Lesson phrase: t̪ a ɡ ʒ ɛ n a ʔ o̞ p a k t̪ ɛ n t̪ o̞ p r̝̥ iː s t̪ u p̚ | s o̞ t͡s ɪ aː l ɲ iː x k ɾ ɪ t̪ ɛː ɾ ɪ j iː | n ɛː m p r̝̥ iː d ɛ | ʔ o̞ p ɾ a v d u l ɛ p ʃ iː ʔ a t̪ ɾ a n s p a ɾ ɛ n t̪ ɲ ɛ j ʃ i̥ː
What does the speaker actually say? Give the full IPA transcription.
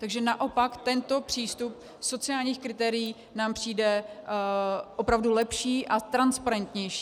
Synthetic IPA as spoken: t̪ a ɡ ʒ ɛ n a ʔ o̞ p a k t̪ ɛ n t̪ o̞ p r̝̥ iː s t̪ u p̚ | s o̞ t͡s ɪ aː l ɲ iː x k ɾ ɪ t̪ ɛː ɾ ɪ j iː | n aː m p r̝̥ iː d ɛ | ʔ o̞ p ɾ a v d u l ɛ p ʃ iː ʔ a t̪ ɾ a n s p a ɾ ɛ n t̪ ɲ ɛ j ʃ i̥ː